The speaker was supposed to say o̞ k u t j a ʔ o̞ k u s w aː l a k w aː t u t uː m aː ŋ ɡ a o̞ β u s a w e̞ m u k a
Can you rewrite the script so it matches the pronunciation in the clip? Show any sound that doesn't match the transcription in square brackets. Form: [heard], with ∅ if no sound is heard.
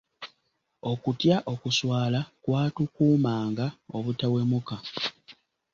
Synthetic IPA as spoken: o̞ k u t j a ʔ o̞ k u s w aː l a k w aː t u [k] uː m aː ŋ ɡ a o̞ β u [t] a w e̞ m u k a